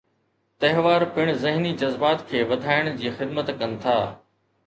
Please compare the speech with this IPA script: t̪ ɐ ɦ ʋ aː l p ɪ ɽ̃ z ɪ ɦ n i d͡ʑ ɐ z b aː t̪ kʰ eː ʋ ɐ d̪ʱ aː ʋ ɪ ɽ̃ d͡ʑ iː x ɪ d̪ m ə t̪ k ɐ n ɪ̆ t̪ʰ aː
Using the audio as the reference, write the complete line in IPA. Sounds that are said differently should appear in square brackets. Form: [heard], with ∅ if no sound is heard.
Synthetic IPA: t̪ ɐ ɦ ʋ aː [ɾ] p ɪ ɽ̃ z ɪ ɦ n i d͡ʑ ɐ z b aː t̪ kʰ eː ʋ ɐ d̪ʱ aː [∅] ɪ ɽ̃ d͡ʑ iː x ɪ d̪ m ə t̪ k ɐ n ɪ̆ t̪ʰ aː